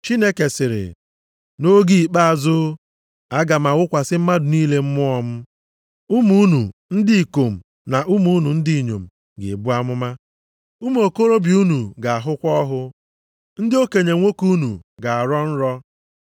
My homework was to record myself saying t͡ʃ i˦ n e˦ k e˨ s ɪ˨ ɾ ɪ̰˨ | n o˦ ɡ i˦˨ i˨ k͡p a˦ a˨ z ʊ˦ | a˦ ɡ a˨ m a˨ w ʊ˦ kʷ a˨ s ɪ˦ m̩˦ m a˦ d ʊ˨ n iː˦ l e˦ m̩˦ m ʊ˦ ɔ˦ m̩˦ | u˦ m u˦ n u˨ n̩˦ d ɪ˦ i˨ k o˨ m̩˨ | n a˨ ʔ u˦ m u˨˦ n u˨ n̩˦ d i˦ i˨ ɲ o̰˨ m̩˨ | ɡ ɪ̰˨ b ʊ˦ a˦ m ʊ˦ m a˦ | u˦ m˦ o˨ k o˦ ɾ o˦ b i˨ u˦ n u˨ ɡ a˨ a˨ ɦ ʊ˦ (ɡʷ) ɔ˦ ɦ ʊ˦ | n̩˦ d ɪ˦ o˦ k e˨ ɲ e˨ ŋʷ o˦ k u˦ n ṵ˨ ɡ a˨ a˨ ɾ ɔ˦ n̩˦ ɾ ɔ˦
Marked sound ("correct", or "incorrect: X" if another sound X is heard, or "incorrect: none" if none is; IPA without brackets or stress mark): incorrect: kʷ